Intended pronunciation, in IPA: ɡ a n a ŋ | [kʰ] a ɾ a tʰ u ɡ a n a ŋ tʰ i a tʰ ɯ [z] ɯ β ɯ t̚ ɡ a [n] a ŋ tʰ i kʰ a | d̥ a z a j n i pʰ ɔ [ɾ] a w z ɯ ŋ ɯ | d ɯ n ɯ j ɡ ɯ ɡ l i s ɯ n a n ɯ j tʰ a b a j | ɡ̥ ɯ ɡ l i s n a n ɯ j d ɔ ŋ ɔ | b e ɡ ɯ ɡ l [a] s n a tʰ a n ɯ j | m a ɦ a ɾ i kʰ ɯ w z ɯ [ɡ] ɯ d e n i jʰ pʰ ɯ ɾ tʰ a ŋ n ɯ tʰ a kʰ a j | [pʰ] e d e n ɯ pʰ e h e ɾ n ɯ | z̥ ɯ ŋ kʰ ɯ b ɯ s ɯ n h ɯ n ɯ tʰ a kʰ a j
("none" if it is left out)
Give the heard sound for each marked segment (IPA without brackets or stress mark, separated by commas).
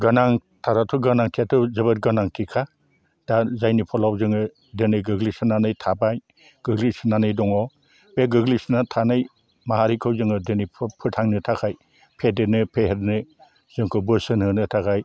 tʰ, z, n, l, i, ŋ, pʰ